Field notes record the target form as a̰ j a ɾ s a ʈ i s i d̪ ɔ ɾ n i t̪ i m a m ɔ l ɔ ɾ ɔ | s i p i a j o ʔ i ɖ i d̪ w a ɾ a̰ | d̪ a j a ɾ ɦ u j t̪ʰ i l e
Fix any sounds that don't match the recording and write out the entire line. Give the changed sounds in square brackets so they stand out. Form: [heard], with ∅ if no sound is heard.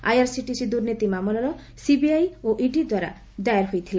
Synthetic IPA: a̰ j a ɾ s [i] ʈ i s i d̪ [u] ɾ n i t̪ i m a m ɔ l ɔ ɾ ɔ | s i [b] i a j o ʔ i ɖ i d̪ w a ɾ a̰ | d̪ a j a ɾ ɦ [o] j t̪ʰ i l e